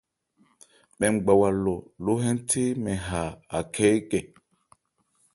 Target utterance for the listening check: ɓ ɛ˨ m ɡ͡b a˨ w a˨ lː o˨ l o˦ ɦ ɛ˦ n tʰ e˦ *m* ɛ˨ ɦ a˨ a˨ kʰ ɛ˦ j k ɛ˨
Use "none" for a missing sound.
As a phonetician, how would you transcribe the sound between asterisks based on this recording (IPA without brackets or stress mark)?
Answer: m